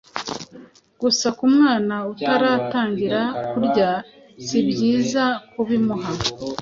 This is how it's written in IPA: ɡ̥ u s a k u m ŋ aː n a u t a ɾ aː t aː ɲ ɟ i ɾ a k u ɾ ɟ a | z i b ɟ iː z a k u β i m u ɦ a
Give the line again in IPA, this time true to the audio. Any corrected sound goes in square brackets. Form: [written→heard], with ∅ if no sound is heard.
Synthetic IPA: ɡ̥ u s a k u m ŋ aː n a u t a ɾ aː t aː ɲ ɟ i ɾ a k u ɾ ɟ a | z i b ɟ iː z a k u β i m u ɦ a